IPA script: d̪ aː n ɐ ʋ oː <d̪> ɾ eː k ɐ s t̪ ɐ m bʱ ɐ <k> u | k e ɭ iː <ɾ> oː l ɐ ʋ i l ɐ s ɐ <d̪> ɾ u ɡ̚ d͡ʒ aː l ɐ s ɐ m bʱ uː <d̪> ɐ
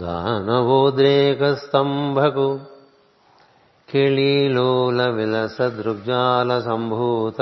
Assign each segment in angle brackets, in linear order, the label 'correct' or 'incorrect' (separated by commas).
correct, correct, incorrect, correct, incorrect